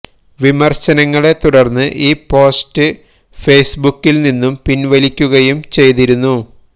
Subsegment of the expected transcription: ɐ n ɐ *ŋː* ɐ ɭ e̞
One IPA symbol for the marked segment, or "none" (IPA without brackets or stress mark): ŋː